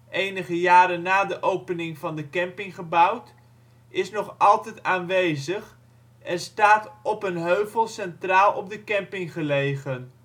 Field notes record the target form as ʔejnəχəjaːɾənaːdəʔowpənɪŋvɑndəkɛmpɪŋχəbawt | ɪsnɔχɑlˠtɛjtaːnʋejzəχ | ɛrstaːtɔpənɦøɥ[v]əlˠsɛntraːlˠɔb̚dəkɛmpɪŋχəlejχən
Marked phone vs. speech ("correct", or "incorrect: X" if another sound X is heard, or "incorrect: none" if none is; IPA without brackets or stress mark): correct